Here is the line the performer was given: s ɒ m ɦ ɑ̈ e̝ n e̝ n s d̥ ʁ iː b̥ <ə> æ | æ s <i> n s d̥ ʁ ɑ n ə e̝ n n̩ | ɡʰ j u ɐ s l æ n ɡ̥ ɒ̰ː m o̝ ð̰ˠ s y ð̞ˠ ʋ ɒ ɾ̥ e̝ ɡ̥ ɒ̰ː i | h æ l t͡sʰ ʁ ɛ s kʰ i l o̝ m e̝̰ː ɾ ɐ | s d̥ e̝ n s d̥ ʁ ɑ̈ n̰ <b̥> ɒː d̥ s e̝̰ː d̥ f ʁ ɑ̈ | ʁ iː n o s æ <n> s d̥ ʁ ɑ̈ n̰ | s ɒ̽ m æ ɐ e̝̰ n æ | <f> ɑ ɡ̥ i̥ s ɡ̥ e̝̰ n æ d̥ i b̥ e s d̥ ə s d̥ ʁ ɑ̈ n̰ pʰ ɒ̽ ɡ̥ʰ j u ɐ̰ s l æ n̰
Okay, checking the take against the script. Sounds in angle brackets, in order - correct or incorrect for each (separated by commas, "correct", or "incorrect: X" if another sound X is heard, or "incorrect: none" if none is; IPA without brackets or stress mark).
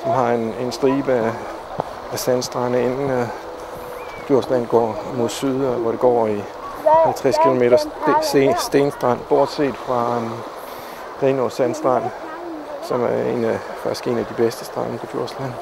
correct, incorrect: æ, correct, correct, correct